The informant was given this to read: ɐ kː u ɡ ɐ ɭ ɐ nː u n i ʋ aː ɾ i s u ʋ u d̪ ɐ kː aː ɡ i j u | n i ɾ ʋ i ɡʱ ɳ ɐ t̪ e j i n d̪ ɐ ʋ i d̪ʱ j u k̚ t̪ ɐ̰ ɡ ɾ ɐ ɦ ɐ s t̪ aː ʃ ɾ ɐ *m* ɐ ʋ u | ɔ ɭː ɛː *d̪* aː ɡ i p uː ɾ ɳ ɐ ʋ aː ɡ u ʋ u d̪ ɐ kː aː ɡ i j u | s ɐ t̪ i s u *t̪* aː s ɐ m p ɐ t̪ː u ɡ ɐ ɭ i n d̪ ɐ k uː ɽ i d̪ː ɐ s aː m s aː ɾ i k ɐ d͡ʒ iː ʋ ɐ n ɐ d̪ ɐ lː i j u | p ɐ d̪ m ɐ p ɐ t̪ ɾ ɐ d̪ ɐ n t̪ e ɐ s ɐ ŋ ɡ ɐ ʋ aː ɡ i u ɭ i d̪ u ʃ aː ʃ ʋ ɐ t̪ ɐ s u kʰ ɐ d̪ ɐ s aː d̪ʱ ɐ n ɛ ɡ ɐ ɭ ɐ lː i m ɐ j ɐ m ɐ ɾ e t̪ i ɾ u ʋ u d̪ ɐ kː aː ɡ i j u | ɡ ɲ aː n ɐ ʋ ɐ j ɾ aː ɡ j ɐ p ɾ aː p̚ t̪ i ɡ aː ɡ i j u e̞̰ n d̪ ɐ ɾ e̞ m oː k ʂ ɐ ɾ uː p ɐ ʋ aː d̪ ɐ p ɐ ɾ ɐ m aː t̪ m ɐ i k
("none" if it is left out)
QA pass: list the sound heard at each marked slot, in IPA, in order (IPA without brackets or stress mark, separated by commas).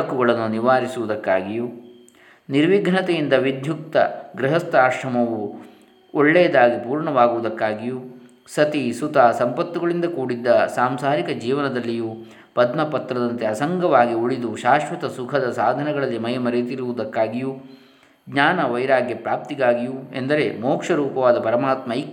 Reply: m, d̪, t̪